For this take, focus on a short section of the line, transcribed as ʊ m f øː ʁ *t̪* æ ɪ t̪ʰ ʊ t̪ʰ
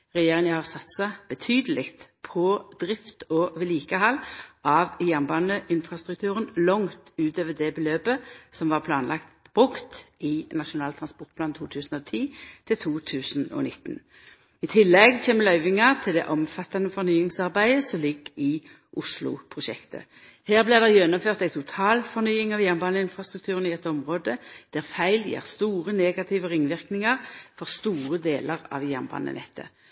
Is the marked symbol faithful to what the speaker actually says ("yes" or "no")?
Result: yes